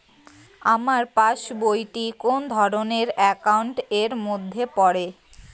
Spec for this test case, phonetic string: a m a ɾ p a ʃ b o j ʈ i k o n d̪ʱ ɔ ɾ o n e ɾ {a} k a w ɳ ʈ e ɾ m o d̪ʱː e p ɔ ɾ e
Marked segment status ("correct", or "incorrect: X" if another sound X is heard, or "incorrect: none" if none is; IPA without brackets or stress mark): incorrect: ɛ